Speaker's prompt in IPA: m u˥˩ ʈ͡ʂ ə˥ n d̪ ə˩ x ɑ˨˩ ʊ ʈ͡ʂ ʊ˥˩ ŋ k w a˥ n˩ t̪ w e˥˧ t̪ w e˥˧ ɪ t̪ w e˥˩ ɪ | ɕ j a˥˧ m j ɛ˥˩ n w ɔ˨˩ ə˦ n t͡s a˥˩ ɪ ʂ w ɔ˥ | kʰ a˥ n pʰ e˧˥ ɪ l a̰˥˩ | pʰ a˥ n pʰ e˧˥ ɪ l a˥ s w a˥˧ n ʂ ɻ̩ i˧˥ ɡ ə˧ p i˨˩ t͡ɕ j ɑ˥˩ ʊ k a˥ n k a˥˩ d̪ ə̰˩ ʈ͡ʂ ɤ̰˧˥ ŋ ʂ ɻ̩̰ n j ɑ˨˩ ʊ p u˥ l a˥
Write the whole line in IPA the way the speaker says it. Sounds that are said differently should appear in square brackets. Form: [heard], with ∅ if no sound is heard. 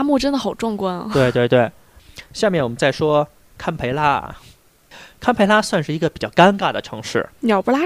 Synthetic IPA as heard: m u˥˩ ʈ͡ʂ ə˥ n d̪ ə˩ x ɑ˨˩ ʊ ʈ͡ʂ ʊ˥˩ ŋ k w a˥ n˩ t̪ w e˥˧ t̪ w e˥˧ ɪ t̪ w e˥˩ ɪ | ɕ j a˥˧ m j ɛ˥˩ n w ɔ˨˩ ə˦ n t͡s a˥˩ ɪ ʂ w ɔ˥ | kʰ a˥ n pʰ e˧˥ ɪ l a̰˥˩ | [kʰ] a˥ n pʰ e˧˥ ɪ l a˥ s w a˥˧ n ʂ ɻ̩ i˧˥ ɡ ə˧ p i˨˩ t͡ɕ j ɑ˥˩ ʊ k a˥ n k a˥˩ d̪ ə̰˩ [ʈ͡ʂʰ] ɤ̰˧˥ ŋ ʂ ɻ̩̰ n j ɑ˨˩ ʊ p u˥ l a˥